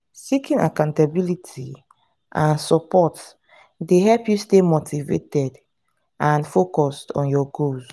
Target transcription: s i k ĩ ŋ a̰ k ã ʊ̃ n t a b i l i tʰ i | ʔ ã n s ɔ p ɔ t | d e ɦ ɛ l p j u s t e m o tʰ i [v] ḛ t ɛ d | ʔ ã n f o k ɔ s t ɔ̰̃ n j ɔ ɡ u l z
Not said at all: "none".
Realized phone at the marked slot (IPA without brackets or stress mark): v